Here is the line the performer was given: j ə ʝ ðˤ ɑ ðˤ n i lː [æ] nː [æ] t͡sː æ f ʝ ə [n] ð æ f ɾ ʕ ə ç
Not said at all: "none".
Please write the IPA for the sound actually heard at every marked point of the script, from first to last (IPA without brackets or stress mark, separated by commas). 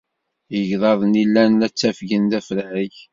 æ, æ, n